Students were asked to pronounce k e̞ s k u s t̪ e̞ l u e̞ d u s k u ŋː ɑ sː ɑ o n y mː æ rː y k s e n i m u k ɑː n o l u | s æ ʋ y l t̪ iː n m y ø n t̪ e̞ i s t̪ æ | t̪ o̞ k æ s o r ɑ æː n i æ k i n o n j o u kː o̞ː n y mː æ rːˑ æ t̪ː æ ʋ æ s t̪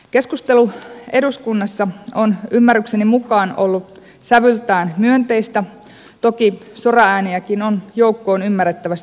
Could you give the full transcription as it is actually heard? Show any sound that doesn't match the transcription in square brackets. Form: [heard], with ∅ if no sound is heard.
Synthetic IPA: k e̞ s k u s t̪ e̞ l u e̞ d u s k u [nː] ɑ sː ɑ o n y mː æ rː y k s e n i m u k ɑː n o [lː] u | s æ ʋ y l t̪ [æː] n m y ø n t̪ e̞ i s t̪ æ | t̪ o̞ k [i] s o r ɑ æː n i æ k i n o n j o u kː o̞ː n y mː æ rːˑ [e] t̪ː æ ʋ æ s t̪

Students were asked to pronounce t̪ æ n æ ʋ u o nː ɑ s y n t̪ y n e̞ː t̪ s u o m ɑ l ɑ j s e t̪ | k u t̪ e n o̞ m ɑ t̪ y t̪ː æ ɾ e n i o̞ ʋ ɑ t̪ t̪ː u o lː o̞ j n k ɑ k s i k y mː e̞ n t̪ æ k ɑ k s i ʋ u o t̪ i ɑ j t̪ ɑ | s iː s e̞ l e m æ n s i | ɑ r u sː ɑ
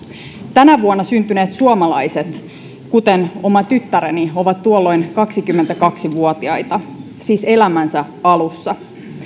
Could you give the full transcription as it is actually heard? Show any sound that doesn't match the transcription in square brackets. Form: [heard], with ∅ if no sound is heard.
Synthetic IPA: t̪ æ n æ ʋ u o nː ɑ s y n t̪ y n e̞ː t̪ s u o m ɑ l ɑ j s e t̪ | k u t̪ e n o̞ m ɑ t̪ y t̪ː æ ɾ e n i o̞ ʋ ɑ t̪ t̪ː u o lː o̞ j n k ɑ k s i k y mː e̞ n t̪ æ k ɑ k s i ʋ u o t̪ i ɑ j t̪ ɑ | s iː s e̞ l [æ] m æ n s [æ] | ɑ [l] u sː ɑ

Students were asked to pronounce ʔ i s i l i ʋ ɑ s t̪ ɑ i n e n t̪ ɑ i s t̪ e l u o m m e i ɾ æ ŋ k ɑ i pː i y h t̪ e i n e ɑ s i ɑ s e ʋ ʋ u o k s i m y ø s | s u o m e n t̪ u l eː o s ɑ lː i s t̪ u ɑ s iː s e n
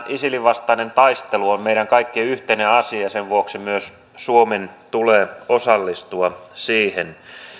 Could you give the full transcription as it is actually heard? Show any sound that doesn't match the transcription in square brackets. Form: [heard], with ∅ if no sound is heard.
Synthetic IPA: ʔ i s i l i ʋ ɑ s t̪ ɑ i n e n t̪ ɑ i s t̪ e l u o m m e i ɾ æ ŋ k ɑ i [kː] i y h t̪ e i n e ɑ s i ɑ s e ʋ ʋ u o k s i m y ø s | s u o m e n t̪ u l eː o s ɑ lː i s t̪ u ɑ s iː [h] e n

